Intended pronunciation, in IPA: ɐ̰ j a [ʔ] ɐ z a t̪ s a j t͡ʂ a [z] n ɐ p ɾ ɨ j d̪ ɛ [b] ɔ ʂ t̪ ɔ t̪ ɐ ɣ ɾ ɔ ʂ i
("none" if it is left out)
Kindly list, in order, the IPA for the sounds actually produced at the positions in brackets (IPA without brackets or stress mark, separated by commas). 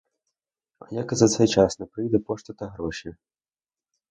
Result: k, s, p